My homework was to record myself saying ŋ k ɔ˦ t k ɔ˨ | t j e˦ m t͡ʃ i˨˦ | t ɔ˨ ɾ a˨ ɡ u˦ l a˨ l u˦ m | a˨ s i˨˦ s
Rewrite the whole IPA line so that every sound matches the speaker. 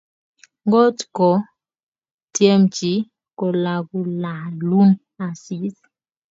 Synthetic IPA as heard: ŋ ɡ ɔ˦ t k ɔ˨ | t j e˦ m t͡ʃ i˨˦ | k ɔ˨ l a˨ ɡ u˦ l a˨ l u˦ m | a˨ s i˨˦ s